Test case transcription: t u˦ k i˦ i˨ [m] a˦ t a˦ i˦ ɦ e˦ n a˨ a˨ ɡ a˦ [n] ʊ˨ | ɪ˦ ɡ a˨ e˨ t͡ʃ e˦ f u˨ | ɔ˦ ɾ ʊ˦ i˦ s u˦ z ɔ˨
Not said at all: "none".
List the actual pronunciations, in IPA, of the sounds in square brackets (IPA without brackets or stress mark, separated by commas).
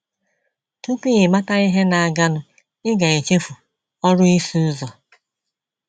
m, n